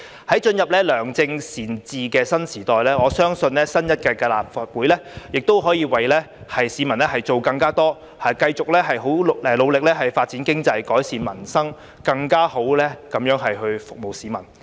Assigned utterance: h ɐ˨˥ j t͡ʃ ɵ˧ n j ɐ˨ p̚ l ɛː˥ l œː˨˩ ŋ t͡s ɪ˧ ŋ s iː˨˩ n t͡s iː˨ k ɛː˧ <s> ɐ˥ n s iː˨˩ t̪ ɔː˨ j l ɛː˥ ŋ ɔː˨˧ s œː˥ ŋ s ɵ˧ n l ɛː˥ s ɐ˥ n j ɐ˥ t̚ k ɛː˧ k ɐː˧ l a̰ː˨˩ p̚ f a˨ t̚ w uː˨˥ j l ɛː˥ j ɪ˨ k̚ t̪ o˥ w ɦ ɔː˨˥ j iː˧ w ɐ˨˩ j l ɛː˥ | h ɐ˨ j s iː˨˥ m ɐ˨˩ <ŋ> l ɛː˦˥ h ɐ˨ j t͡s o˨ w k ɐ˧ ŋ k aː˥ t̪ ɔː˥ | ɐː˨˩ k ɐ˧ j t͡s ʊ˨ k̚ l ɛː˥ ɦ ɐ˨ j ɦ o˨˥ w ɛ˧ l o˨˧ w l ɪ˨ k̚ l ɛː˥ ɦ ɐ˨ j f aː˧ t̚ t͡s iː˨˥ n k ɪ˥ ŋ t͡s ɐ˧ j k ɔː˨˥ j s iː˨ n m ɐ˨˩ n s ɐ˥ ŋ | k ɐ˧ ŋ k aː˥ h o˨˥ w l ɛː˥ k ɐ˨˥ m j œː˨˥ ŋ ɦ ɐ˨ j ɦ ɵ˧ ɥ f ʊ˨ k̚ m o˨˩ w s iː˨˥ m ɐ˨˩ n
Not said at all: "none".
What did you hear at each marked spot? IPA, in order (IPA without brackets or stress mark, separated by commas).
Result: s, n